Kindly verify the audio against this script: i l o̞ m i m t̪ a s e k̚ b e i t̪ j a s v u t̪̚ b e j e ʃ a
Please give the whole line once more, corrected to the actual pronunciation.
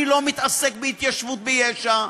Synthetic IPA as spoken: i l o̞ m i t̪ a s e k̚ b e i t̪ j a ʃ v u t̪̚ b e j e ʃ a